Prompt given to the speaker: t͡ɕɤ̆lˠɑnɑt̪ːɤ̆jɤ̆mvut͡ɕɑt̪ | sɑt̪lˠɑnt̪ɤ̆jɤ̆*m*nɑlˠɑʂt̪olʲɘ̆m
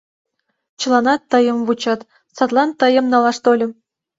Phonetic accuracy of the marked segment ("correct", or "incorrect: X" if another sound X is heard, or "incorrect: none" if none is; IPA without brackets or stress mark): correct